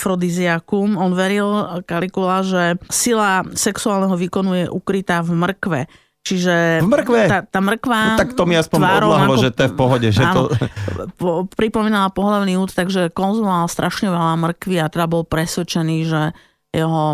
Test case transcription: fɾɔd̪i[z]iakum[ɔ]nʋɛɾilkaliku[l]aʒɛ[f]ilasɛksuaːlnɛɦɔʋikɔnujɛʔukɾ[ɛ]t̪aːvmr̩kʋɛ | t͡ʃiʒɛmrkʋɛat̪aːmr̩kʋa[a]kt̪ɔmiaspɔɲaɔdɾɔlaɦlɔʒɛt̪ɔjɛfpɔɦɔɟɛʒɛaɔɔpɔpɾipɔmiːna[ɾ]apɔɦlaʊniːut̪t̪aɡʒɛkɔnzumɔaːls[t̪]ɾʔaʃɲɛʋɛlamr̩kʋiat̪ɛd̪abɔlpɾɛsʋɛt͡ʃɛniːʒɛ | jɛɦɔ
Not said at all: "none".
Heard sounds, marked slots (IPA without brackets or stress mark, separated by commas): z, ɔ, l, s, i, a, l, t̪